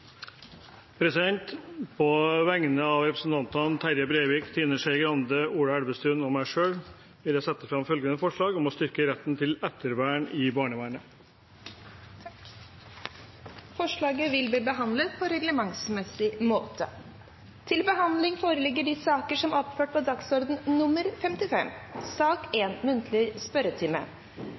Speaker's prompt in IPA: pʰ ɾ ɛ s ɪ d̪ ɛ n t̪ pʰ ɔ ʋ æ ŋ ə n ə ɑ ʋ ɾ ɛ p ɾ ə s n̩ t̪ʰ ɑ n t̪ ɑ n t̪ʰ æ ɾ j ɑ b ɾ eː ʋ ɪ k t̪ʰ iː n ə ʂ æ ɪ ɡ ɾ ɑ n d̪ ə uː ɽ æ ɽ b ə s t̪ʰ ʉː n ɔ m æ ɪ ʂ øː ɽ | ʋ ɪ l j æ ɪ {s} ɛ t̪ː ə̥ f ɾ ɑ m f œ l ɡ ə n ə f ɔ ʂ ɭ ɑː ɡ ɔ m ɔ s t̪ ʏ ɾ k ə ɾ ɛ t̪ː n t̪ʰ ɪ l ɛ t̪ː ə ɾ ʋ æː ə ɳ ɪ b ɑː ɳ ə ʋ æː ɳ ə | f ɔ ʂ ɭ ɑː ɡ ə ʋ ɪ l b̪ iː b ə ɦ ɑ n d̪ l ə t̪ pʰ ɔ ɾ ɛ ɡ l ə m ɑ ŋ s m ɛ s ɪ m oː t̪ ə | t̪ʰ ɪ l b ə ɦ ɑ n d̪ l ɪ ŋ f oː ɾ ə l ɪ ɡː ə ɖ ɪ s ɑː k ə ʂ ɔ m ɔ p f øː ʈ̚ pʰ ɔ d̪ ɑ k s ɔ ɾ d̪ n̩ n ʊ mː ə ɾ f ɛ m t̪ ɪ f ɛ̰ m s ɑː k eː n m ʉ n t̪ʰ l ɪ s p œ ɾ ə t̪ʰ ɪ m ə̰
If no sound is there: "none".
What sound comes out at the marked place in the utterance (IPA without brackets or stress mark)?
s